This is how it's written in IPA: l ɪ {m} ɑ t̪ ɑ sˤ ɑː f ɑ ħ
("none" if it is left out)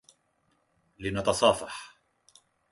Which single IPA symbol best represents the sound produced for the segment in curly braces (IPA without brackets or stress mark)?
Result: n